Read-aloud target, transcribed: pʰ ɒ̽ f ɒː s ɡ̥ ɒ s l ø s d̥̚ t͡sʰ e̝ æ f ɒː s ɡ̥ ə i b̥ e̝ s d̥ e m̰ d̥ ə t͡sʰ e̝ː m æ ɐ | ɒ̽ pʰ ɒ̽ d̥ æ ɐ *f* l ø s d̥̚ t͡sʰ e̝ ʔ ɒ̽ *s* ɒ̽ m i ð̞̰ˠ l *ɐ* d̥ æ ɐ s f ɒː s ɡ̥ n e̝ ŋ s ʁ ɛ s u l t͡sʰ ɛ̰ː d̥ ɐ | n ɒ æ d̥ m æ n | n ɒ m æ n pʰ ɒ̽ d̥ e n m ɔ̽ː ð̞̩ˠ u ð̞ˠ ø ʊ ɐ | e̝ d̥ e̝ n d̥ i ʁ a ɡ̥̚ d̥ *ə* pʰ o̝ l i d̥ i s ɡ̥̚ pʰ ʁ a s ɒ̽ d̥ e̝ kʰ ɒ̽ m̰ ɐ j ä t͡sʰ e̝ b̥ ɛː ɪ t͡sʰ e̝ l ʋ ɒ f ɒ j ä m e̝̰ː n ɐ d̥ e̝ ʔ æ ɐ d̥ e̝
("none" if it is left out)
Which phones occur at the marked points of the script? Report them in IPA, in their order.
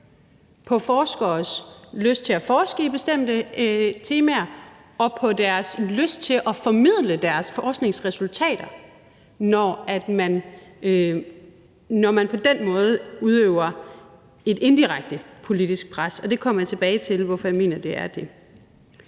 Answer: s, f, ə, ə

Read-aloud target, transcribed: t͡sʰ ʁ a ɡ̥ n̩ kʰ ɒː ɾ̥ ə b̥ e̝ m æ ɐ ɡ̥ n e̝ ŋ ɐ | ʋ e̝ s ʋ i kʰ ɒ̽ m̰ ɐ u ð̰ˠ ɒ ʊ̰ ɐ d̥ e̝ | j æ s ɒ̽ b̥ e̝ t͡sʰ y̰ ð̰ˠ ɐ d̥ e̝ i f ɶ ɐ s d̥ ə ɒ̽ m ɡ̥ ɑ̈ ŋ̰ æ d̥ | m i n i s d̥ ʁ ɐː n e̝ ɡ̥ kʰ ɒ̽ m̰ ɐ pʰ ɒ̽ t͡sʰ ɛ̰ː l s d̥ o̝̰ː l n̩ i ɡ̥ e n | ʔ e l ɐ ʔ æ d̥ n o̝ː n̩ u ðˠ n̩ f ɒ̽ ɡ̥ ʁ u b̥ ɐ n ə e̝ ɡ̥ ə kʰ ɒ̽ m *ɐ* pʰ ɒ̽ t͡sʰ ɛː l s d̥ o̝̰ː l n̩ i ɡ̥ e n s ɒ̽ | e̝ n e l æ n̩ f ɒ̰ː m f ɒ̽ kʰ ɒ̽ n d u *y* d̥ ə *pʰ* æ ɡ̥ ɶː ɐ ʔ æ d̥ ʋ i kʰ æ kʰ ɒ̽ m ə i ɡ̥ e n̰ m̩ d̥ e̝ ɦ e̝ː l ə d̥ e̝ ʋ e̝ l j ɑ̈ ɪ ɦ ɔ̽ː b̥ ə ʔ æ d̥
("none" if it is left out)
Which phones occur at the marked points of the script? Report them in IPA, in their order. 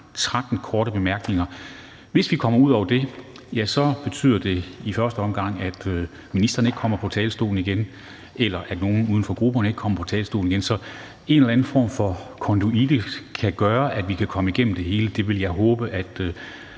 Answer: ɐ, i, kʰ

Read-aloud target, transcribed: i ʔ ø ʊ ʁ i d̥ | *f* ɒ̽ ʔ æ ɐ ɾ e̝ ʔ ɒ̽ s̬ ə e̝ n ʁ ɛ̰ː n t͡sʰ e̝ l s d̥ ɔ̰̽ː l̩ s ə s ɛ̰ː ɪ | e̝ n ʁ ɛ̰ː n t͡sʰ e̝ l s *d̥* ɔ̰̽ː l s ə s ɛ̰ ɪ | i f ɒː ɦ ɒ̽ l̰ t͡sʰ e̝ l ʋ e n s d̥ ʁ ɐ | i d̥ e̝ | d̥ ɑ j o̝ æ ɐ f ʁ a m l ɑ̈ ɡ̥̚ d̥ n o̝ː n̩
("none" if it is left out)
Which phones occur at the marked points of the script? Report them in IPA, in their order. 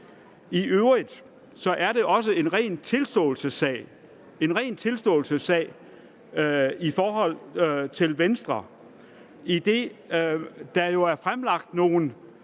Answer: s, d̥

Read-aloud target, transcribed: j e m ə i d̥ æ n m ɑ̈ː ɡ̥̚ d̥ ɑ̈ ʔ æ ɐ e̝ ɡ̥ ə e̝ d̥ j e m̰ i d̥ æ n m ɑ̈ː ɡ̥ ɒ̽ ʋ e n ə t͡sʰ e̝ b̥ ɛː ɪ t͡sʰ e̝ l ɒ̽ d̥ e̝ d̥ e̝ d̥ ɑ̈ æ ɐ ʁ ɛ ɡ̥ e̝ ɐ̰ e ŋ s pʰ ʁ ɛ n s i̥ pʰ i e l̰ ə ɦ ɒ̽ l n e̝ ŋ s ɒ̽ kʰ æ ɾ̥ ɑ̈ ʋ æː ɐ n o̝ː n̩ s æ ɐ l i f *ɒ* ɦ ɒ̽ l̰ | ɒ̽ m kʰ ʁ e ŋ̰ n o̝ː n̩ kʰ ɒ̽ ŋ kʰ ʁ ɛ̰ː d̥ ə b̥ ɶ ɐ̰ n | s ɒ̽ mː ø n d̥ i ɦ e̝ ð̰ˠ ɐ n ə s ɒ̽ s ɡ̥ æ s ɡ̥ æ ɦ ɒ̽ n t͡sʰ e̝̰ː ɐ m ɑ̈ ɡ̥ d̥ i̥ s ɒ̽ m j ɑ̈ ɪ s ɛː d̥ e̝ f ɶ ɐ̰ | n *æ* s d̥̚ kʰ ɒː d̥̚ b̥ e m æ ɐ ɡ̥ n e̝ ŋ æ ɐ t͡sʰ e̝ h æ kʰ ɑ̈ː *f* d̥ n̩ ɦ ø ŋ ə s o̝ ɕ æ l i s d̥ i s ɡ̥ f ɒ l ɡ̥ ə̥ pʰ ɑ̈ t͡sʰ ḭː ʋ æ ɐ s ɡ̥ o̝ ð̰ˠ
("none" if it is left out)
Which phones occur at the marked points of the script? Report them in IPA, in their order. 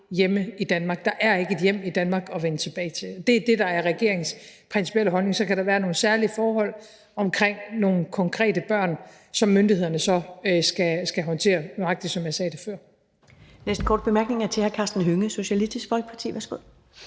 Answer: ɒː, e, s

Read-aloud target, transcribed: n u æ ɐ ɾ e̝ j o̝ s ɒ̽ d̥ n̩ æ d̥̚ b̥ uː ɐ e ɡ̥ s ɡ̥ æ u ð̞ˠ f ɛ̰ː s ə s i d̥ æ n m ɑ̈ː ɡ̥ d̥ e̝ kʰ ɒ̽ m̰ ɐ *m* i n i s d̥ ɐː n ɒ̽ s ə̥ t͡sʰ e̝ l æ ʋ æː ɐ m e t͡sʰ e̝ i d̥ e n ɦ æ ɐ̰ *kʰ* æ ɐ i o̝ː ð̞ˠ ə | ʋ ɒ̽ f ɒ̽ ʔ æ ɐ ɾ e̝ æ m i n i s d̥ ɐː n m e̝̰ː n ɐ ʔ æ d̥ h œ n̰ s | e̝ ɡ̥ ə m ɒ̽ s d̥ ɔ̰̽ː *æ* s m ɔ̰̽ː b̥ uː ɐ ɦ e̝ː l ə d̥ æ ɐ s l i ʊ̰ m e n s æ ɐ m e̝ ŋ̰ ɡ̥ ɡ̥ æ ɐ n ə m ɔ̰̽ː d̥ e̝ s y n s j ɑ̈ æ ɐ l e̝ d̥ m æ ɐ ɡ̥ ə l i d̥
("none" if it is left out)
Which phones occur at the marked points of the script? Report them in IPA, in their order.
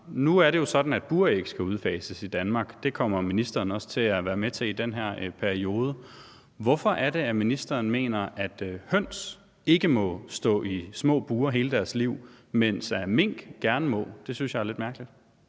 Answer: m, pʰ, i

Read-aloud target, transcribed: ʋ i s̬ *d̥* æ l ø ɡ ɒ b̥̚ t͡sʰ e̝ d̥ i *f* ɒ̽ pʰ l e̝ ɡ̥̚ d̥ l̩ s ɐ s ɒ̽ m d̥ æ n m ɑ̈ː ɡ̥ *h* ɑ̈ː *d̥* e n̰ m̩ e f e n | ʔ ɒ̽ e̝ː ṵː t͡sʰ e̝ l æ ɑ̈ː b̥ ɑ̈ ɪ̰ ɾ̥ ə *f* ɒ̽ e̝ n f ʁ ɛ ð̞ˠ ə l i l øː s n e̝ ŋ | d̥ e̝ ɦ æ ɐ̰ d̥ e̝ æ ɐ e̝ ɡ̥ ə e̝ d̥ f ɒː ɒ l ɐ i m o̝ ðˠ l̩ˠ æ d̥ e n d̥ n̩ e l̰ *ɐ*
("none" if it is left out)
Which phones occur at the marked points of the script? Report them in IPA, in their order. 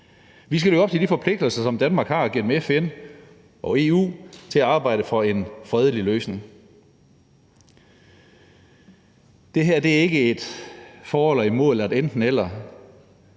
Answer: ɡ̥, f, h, ɡ̥, f, ɐ

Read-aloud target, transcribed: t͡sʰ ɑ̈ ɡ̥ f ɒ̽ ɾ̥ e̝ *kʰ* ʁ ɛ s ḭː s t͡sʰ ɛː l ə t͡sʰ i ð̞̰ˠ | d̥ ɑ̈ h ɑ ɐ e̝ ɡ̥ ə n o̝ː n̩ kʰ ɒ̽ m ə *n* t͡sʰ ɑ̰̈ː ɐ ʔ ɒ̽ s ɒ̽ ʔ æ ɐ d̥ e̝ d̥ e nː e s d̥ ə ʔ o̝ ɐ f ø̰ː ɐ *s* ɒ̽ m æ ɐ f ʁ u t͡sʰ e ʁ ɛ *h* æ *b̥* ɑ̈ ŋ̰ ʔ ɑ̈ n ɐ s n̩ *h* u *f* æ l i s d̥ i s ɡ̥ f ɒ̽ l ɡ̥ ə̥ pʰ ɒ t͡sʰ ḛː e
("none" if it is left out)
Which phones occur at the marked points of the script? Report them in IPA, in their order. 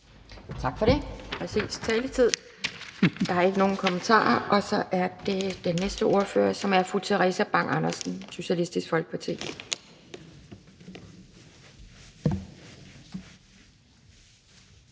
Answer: pʰ, n, s, s, b̥, s, ɕ

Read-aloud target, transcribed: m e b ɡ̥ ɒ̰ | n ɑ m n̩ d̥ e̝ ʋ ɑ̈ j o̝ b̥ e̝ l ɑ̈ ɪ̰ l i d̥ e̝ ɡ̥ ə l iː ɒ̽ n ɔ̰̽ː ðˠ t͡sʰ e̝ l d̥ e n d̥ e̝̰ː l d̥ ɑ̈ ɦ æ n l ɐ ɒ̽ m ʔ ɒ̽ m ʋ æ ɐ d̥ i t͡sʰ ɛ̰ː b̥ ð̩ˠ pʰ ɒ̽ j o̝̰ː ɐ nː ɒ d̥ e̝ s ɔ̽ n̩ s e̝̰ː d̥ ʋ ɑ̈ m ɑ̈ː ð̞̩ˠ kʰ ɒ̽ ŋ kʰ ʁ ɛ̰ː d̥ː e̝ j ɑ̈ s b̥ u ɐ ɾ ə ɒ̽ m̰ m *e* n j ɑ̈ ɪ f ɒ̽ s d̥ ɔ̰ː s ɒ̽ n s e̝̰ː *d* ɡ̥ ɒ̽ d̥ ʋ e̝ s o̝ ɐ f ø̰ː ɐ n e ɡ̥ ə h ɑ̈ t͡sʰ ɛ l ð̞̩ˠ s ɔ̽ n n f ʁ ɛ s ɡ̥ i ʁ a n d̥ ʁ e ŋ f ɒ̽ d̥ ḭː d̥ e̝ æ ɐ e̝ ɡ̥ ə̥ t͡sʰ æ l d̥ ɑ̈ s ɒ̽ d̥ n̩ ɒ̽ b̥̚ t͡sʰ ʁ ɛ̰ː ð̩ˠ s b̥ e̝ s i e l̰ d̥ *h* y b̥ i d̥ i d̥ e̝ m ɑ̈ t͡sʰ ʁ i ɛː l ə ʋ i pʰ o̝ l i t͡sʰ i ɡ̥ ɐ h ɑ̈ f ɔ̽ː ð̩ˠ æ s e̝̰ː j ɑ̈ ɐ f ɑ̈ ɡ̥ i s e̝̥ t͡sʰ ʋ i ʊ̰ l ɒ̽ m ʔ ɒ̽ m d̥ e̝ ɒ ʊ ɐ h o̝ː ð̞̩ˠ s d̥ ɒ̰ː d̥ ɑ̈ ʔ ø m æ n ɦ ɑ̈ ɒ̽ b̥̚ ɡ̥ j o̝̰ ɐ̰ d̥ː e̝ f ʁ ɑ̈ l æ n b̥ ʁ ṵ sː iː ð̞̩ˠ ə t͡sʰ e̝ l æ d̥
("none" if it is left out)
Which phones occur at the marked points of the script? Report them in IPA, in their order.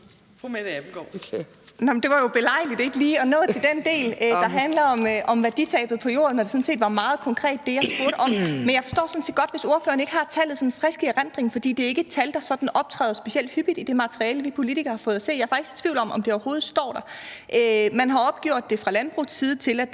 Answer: e, d, h

